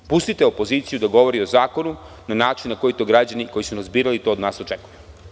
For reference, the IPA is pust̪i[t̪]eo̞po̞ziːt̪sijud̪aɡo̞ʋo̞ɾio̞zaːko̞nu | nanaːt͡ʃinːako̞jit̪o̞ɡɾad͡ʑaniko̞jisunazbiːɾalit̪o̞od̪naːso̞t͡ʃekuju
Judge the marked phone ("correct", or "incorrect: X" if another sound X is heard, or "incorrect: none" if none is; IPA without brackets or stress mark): correct